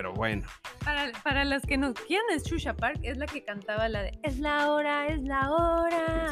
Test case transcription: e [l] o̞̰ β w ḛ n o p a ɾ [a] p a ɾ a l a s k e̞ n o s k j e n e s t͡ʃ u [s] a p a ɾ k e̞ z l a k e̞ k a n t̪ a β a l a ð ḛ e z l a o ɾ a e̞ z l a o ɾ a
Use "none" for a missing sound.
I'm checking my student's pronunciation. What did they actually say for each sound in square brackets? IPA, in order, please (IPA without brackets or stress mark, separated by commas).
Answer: ɾ, a, ʃ